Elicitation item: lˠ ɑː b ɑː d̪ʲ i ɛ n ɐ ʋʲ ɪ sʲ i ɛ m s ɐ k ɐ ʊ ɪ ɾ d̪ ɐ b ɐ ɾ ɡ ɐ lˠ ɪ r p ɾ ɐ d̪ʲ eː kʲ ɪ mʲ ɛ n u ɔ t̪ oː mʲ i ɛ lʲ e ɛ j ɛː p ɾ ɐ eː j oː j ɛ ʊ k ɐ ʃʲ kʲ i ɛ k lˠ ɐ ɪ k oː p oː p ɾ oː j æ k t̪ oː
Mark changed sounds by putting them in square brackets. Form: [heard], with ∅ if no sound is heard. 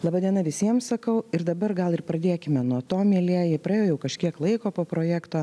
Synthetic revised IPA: lˠ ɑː b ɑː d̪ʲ i ɛ n ɐ ʋʲ ɪ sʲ i ɛ m s ɐ k ɐ ʊ ɪ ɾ d̪ ɐ b ɐ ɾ ɡ ɐ lˠ ɪ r p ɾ ɐ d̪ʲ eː kʲ ɪ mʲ ɛ n u ɔ t̪ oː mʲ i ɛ lʲ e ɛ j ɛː p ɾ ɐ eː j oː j ɛ ʊ k ɐ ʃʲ kʲ i ɛ k lˠ ɐ ɪ k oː p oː p ɾ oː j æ k t̪ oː